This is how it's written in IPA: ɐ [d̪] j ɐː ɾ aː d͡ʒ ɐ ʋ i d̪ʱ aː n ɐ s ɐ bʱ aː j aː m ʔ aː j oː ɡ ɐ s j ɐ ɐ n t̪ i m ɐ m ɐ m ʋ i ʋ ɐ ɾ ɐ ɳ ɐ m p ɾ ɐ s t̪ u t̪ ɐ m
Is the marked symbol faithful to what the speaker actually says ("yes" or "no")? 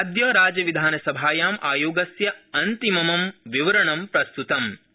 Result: yes